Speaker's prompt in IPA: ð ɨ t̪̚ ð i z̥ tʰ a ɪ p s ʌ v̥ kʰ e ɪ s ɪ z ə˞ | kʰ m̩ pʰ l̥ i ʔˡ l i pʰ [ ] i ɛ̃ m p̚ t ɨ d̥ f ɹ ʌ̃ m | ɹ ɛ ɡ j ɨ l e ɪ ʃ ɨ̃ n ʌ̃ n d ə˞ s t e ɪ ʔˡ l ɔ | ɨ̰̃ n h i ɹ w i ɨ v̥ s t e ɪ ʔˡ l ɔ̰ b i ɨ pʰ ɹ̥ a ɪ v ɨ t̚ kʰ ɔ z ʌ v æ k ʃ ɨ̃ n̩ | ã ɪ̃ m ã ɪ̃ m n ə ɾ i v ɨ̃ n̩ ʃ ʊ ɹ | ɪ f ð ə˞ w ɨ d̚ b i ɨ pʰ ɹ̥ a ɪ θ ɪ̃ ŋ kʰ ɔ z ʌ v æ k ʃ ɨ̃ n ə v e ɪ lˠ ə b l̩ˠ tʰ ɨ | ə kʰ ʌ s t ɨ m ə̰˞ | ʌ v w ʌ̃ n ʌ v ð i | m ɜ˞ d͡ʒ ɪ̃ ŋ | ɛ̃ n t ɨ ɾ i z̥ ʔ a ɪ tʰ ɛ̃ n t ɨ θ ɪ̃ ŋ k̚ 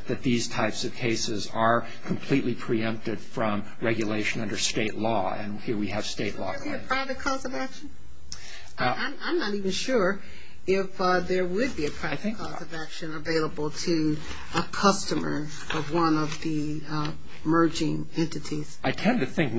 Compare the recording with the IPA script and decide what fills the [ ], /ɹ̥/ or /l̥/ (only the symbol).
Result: ɹ̥